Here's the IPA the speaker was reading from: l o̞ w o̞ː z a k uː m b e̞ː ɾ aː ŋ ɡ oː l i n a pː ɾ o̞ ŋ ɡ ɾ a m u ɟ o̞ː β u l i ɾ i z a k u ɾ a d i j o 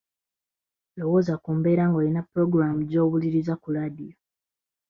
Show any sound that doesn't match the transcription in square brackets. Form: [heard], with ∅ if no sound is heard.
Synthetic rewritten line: l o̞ w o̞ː z a k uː m b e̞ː ɾ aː ŋ ɡ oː l i n a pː ɾ o̞ [∅] ɡ ɾ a m u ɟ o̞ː β u l i ɾ i z a k u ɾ a d i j o